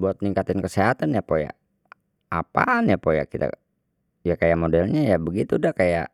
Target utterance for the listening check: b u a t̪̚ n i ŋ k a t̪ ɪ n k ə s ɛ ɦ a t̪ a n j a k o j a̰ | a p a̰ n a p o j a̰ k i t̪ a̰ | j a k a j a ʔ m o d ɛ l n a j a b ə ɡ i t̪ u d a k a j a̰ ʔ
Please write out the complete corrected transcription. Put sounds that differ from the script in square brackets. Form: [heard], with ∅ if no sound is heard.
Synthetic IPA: b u a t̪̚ n i ŋ k a t̪ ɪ n k ə s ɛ ɦ a t̪ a n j a [p] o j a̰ | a p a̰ n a p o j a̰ k i t̪ a̰ | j a k a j a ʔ m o d ɛ l [ɲ] a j a b ə ɡ i t̪ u d a k a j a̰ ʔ